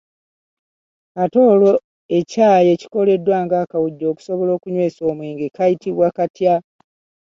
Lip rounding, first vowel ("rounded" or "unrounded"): unrounded